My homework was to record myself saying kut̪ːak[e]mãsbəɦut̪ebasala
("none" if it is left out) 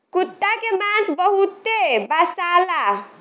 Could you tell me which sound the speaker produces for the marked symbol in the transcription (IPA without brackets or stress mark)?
e